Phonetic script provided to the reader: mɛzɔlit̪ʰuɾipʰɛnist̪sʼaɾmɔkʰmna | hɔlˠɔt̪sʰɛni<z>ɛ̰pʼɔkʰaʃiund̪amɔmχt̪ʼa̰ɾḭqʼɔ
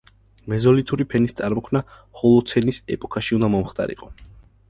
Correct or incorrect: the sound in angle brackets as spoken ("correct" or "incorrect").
incorrect